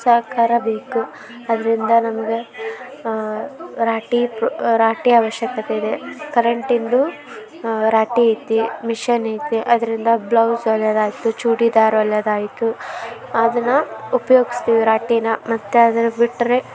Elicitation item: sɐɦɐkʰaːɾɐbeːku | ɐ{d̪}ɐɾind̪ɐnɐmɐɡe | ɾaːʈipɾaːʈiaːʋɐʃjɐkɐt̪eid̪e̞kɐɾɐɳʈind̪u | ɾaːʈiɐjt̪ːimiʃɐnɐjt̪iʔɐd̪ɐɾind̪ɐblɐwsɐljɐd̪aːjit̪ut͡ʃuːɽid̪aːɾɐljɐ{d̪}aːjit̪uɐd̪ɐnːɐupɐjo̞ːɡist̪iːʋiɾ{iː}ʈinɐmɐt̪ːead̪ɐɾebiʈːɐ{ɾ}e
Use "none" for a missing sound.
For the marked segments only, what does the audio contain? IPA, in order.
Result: d̪, d̪, aː, ɾ

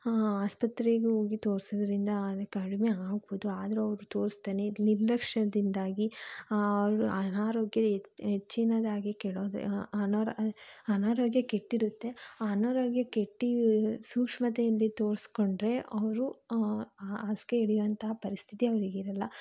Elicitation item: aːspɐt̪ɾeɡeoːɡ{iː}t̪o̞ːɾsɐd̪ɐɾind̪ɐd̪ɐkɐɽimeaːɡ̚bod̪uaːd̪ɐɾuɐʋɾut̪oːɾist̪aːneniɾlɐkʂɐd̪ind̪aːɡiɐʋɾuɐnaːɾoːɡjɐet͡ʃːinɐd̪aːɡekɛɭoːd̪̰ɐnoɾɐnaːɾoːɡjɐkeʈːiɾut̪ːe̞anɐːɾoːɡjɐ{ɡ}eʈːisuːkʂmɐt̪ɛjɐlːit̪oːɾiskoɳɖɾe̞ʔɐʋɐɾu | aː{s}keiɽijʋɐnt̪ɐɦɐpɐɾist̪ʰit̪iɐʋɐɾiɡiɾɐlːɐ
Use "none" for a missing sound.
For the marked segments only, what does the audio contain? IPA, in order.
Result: i, k, s

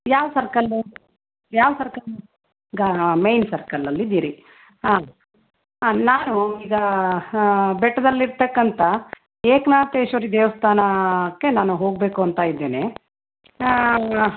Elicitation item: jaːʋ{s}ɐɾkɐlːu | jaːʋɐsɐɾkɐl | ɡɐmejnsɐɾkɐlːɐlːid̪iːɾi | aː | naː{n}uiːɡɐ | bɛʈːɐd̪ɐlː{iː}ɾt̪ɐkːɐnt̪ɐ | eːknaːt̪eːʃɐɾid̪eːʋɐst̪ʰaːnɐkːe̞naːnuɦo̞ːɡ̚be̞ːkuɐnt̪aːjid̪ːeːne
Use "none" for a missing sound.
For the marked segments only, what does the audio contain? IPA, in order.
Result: s, n, i

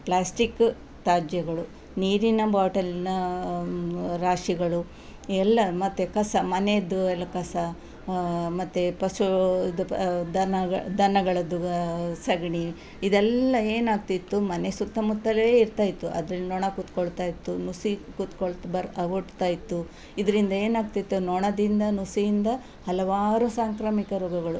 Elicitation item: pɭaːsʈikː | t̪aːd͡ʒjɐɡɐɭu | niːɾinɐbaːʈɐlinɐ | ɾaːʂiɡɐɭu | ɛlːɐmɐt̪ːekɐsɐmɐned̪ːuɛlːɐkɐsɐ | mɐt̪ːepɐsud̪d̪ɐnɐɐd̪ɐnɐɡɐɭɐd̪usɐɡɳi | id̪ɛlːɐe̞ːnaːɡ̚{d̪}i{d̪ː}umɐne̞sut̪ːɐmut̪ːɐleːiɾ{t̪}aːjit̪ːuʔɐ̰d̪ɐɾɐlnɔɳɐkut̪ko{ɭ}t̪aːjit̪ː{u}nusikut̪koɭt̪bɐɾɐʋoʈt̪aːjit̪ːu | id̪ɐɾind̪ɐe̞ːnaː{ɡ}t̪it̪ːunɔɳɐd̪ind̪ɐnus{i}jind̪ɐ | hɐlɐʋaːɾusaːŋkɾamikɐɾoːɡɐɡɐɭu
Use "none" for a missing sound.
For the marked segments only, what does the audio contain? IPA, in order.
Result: t̪, t̪ː, t̪, ɭ, u, ɡ, i

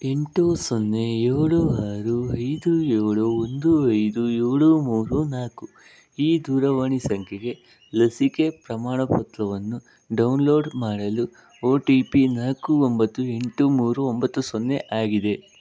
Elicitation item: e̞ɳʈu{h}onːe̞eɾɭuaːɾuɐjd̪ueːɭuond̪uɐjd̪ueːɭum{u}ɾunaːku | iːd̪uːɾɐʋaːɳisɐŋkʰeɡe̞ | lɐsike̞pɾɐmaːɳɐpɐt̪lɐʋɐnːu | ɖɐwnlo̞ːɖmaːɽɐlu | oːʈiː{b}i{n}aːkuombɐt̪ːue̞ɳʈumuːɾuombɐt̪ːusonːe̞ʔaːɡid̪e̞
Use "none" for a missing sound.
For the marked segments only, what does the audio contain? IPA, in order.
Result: s, uː, p, n

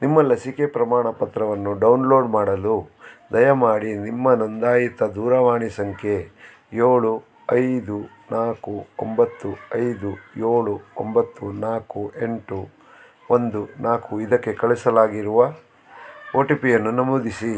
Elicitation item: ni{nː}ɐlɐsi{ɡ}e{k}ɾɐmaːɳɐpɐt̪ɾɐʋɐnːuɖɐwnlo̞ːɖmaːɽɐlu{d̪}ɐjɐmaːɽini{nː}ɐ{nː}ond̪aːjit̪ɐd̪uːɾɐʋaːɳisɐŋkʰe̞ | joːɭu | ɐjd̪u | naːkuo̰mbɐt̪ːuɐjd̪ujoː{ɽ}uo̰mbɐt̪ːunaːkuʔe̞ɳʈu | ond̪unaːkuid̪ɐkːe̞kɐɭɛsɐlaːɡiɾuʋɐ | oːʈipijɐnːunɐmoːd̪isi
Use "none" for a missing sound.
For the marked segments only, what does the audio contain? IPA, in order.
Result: mː, k, p, d̪, mː, n, ɭ

